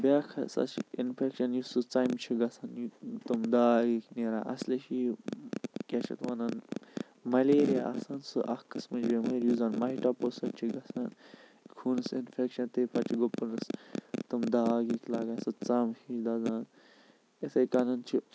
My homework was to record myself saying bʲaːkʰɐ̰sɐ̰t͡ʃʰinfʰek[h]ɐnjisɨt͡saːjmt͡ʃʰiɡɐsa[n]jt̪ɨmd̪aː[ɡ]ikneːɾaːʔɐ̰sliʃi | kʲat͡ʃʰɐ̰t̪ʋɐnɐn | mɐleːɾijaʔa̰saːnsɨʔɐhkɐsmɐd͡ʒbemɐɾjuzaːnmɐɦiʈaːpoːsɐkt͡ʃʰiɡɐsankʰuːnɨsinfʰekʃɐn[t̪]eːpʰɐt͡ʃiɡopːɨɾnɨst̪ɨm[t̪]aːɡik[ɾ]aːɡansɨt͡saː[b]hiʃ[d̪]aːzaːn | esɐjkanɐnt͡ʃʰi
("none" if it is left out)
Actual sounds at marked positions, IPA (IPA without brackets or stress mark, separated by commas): ʃ, n, ɡ, t̪, d̪, l, m, d̪